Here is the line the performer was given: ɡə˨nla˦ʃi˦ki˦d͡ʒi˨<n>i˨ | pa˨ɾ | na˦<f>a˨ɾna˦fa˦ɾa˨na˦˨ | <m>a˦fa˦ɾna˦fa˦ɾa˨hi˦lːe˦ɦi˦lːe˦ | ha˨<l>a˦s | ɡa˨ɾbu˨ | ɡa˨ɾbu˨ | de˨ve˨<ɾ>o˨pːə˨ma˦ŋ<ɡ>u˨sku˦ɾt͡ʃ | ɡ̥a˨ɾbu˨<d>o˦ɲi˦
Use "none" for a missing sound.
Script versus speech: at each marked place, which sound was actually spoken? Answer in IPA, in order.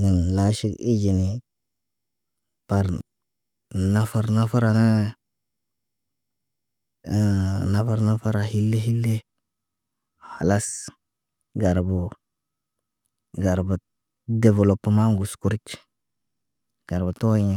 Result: n, f, n, l, l, ɡ, t

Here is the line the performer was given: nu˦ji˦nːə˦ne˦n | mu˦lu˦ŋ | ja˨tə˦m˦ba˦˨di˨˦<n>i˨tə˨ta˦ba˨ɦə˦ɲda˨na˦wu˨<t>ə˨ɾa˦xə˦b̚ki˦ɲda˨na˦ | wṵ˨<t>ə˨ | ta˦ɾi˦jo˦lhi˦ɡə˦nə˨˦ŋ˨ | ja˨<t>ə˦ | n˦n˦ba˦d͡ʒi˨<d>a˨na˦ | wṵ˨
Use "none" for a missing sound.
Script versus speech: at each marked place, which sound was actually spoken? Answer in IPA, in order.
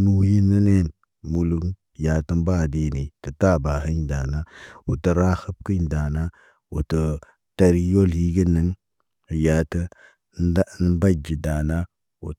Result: n, t, t, t, d

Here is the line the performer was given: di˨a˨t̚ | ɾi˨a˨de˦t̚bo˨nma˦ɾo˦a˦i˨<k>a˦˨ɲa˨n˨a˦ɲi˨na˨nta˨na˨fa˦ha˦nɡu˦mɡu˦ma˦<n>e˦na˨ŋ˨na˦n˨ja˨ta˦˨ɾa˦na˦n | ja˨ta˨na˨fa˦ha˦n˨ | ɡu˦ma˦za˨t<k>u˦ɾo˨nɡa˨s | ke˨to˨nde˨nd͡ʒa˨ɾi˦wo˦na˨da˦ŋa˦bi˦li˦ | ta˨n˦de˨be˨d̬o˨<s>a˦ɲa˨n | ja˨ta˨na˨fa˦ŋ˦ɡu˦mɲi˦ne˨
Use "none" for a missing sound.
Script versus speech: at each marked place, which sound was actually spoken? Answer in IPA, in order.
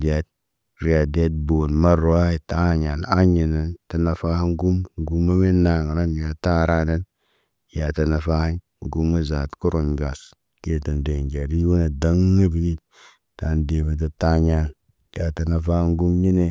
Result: t, m, k, t

